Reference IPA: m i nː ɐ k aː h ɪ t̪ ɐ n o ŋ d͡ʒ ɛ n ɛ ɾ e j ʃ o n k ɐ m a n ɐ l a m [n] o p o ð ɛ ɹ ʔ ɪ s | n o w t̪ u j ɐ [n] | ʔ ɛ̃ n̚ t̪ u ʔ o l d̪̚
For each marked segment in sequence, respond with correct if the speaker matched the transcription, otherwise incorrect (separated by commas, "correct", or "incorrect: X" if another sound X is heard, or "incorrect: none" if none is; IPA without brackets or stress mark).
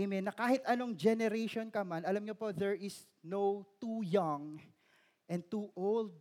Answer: incorrect: ɲ, incorrect: ŋ